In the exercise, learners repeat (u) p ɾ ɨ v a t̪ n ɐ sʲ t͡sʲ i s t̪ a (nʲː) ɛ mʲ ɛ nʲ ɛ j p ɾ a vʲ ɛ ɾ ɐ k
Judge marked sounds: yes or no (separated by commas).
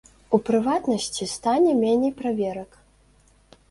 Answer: yes, no